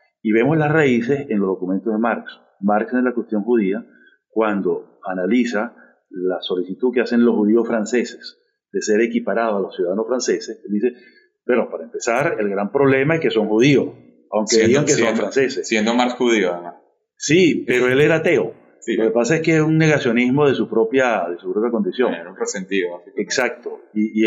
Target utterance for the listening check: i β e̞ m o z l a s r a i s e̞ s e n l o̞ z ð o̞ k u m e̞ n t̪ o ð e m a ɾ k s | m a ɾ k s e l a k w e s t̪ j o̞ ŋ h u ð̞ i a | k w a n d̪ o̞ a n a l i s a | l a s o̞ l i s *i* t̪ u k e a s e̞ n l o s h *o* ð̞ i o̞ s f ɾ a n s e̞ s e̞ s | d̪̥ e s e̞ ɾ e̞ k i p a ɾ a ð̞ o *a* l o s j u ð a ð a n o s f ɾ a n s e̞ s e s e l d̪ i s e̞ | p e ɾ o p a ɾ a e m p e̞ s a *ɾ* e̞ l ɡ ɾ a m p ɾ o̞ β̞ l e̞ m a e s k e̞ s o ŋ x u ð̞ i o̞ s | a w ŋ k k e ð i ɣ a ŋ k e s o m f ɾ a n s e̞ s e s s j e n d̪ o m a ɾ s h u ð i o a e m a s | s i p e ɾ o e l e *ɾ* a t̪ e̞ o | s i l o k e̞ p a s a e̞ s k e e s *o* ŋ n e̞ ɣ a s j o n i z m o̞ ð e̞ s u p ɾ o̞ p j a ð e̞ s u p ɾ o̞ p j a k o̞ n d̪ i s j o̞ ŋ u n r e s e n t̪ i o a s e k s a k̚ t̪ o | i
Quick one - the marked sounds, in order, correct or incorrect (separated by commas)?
correct, incorrect, correct, correct, correct, incorrect